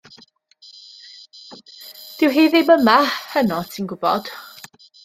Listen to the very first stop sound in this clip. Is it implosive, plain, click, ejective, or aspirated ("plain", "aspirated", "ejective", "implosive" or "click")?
plain